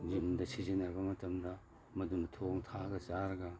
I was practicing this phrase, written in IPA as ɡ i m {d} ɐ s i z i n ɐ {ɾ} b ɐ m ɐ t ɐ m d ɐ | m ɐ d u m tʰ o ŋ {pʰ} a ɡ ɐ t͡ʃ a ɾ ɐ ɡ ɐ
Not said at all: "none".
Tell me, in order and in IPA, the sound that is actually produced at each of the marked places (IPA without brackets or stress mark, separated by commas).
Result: d, ɾ, tʰ